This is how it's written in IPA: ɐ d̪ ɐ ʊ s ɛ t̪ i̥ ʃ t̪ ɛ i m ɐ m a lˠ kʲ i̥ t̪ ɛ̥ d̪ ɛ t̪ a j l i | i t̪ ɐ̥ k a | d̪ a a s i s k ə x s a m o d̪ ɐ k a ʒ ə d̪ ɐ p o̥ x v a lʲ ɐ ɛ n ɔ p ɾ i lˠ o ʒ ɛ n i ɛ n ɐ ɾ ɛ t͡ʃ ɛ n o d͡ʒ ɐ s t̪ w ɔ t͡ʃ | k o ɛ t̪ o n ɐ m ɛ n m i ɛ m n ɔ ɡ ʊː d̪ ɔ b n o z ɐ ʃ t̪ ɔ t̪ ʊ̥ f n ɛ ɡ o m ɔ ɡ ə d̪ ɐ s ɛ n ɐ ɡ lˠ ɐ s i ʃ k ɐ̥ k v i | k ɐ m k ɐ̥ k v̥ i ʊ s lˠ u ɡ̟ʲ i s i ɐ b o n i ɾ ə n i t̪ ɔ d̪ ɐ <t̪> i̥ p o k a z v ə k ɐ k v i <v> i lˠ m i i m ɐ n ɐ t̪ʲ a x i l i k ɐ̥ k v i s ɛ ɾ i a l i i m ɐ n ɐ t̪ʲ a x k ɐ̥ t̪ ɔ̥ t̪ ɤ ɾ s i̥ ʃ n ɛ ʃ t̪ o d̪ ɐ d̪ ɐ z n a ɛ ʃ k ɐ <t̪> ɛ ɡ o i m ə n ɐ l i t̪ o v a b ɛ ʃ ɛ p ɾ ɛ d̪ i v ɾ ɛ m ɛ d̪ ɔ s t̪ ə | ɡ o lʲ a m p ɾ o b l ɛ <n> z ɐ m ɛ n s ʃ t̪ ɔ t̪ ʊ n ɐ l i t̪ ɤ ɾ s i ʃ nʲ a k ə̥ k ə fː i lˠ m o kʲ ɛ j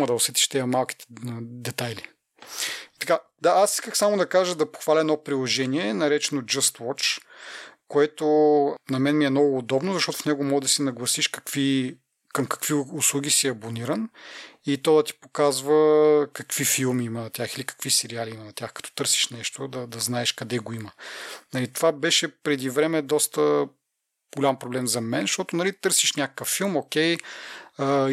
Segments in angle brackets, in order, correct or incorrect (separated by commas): correct, incorrect, incorrect, incorrect